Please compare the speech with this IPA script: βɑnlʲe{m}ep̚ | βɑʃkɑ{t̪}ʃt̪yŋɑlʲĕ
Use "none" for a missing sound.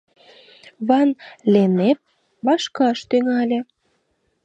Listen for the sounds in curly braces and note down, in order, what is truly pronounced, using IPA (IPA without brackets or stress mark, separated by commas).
n, none